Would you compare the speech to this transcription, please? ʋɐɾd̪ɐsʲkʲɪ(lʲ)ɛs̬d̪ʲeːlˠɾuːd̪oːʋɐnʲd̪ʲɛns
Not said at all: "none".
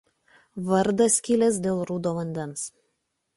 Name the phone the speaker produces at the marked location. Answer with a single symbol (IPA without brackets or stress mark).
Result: lʲ